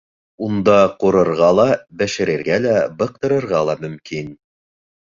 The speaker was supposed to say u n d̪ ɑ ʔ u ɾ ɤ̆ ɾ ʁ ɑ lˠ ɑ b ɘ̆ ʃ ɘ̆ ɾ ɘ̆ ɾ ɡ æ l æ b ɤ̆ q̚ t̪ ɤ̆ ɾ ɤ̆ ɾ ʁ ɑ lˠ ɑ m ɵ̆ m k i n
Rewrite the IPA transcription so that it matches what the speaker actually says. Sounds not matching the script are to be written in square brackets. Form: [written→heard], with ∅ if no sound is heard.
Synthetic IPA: u n d̪ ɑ [ʔ→q] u ɾ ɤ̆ ɾ ʁ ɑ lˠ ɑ b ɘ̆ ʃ ɘ̆ ɾ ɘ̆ ɾ ɡ æ l æ b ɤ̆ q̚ t̪ ɤ̆ ɾ ɤ̆ ɾ ʁ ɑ lˠ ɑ m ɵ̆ m k i n